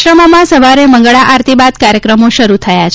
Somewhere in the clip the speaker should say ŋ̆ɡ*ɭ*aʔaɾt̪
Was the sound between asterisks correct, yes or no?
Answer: yes